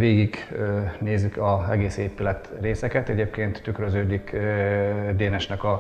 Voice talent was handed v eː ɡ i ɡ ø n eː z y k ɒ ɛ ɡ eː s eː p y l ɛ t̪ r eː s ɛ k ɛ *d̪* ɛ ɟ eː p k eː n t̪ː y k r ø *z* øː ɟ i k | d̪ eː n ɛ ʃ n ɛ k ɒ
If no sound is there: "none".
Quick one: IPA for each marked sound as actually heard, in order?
t̪, z

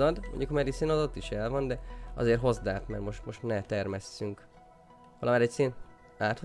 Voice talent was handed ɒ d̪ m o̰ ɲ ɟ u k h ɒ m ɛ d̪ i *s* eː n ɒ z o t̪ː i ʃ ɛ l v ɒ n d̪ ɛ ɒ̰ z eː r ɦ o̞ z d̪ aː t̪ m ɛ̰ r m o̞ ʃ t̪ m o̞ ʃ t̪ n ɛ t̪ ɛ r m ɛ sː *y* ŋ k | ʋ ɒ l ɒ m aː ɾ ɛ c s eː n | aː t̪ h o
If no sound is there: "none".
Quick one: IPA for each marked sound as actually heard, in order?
s, y

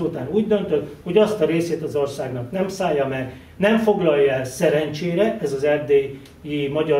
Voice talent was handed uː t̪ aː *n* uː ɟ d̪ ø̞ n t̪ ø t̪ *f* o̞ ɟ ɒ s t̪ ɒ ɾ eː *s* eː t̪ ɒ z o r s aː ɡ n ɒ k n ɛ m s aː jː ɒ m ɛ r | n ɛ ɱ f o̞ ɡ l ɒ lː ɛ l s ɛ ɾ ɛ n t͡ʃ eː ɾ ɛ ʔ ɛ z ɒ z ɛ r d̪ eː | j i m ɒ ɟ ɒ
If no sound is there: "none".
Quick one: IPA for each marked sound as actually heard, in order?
n, h, s

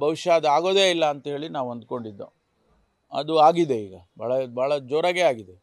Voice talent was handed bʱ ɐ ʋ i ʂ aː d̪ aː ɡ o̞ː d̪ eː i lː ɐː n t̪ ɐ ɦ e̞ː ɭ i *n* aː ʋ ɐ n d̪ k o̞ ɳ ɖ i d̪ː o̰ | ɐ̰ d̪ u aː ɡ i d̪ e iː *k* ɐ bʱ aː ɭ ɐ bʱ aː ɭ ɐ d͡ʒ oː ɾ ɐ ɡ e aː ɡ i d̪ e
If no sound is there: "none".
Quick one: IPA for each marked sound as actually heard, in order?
n, ɡ

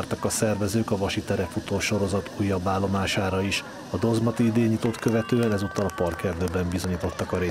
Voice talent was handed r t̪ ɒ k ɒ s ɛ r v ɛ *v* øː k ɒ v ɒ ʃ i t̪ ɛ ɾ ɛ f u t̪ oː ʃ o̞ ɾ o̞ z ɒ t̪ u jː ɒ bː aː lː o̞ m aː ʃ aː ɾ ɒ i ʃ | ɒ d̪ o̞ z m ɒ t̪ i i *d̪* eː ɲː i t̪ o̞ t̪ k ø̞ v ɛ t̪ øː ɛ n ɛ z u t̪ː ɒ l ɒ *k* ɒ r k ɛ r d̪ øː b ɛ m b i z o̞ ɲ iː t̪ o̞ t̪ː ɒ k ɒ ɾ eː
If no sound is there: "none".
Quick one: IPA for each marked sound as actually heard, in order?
z, d̪, p

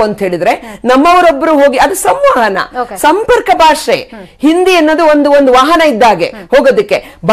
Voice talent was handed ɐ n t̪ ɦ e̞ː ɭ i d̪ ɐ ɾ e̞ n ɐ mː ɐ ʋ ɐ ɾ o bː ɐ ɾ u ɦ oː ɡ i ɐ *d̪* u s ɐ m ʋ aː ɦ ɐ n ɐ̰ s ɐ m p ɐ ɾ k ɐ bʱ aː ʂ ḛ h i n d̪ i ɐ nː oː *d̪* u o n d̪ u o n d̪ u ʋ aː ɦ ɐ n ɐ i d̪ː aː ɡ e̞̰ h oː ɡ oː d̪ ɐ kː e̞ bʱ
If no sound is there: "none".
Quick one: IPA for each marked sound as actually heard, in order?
d̪, d̪

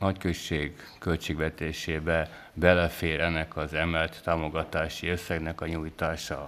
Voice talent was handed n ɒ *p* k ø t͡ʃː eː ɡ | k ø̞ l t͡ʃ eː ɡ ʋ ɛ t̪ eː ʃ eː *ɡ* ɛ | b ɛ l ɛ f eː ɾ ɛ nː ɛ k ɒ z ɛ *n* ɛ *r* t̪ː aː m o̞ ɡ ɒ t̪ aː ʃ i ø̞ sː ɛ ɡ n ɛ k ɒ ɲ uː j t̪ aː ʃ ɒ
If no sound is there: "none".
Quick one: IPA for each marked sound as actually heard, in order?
c, b, m, l

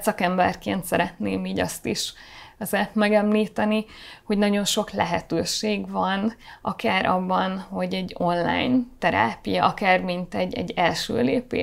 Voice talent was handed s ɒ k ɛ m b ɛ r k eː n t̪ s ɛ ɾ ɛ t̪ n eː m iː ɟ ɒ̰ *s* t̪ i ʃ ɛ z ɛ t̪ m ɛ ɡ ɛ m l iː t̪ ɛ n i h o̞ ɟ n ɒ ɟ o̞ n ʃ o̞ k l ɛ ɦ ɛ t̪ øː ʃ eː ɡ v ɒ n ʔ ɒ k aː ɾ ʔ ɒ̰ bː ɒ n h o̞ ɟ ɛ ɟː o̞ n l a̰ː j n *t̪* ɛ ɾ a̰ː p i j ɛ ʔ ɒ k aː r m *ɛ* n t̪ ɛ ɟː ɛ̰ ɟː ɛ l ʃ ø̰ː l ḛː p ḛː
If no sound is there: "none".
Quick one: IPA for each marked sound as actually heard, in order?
s, t̪, i

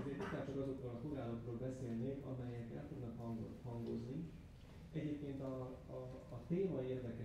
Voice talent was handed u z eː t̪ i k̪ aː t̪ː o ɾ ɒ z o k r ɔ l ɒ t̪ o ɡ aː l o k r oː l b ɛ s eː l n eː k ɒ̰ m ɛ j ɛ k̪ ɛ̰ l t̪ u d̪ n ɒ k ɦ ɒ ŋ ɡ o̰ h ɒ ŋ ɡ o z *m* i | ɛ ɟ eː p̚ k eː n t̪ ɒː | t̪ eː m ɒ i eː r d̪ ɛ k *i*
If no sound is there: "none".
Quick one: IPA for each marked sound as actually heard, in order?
n, ɛ

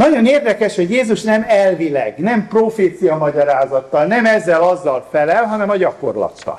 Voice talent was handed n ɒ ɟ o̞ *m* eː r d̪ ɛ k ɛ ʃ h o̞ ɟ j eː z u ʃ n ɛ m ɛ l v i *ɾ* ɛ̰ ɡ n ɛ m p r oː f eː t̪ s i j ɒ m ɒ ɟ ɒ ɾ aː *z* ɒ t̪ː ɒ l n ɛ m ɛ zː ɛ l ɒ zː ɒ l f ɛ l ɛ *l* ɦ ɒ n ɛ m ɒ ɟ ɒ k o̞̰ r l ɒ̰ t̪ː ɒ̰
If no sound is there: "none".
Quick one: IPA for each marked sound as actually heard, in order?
n, l, z, l

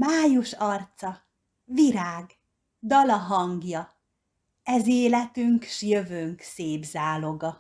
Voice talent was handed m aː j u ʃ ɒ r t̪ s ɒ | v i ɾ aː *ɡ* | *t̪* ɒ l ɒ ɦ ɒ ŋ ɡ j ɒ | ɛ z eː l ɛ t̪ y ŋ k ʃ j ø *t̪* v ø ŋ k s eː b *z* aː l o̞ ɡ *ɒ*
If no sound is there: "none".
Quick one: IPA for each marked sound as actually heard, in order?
ɡ, d̪, none, z, ɒ

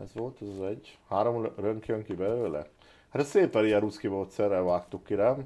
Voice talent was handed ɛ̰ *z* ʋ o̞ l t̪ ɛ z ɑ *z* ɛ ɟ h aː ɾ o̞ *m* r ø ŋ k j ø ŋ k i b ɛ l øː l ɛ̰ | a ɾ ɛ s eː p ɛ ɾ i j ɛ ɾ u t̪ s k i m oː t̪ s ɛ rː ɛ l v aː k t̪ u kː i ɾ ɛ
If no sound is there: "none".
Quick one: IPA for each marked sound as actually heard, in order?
z, z, m

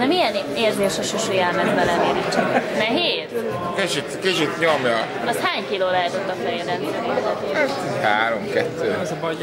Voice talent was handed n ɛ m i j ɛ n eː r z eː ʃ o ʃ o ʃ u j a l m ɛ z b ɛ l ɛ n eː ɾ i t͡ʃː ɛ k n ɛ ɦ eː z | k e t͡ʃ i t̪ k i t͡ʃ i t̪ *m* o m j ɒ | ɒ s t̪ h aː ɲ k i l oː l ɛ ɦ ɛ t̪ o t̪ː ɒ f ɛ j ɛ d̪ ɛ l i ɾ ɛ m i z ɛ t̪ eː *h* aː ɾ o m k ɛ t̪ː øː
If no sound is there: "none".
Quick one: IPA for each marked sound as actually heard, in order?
ɲ, h

